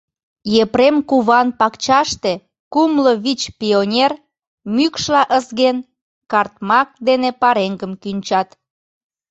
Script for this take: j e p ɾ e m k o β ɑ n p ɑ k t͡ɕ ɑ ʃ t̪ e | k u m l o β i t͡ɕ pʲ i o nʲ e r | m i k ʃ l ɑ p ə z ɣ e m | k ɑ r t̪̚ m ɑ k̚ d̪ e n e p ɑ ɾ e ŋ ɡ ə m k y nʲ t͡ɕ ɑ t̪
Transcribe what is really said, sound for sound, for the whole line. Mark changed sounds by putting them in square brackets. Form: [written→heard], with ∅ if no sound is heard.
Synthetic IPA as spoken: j e p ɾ e m k [o→u] β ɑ n p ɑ k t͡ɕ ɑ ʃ t̪ e | k u m l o β i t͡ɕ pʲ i o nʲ e r | m [i→y] k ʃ l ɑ [p→ʔ] ə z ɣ e [m→n] | k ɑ r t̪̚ m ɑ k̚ d̪ e n e p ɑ ɾ e ŋ ɡ ə m k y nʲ t͡ɕ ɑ t̪